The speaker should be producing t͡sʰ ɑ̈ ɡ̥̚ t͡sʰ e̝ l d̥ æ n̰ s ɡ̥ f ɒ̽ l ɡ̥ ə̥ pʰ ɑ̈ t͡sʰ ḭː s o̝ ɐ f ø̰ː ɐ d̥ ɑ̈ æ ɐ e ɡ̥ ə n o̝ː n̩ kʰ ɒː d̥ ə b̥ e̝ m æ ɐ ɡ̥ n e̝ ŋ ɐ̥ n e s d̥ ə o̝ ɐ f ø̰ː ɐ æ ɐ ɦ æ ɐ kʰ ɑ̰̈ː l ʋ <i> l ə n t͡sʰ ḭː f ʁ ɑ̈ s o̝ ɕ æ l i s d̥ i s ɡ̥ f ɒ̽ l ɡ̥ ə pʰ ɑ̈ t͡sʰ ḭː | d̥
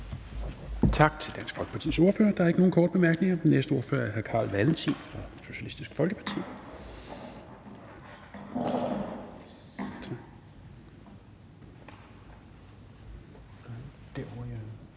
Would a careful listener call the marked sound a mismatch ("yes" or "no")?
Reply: yes